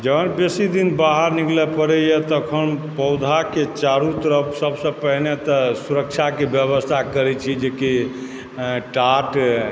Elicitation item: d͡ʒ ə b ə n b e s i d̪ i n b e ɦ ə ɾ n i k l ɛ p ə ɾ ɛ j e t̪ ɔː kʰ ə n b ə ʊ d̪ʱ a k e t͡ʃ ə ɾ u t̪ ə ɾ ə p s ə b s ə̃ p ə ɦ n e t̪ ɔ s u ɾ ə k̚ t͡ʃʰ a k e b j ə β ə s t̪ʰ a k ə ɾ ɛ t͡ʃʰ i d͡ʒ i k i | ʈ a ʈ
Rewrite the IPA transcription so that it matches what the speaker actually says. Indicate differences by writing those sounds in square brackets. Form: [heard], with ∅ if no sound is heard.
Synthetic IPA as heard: d͡ʒ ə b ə n b e s i d̪ i n b [a] ɦ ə ɾ n i k l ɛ p ə ɾ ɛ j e t̪ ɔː kʰ ə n [p] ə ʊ d̪ʱ a k e t͡ʃ [a] ɾ u t̪ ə ɾ ə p s ə b s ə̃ p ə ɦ n e t̪ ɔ s u ɾ ə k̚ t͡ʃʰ a k e b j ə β ə s t̪ʰ a k ə ɾ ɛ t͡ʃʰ i d͡ʒ [e] k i | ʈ a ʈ

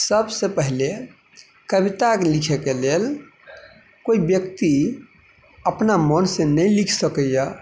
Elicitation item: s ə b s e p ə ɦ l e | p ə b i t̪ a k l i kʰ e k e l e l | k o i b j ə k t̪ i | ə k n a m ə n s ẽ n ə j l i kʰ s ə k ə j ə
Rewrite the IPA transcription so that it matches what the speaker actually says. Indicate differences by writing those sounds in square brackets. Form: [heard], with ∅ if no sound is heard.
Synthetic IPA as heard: s ə b s e p ə ɦ l e | [k] ə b i t̪ a k l i kʰ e k e l e l | k o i b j ə k t̪ i | ə [p] n a m ə n s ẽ n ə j l i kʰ s ə k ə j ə

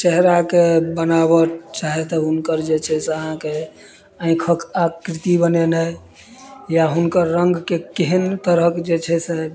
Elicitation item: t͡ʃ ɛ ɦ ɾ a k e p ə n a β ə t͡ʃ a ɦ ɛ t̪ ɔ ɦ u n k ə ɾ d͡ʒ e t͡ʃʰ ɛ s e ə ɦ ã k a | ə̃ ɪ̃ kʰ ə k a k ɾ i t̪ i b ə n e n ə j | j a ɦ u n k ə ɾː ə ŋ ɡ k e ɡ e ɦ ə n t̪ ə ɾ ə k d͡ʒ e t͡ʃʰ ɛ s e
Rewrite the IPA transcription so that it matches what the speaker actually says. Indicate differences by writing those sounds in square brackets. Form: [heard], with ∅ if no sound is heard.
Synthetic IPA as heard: t͡ʃ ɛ ɦ ɾ a k e [b] ə n a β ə t͡ʃ a ɦ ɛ t̪ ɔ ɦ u n k ə ɾ d͡ʒ e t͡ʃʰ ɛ s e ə ɦ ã k [e] | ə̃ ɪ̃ kʰ ə k a k ɾ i t̪ i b ə n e n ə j | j a ɦ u n k ə ɾː ə ŋ ɡ k e [k] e ɦ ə n t̪ ə ɾ ə k d͡ʒ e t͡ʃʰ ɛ s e

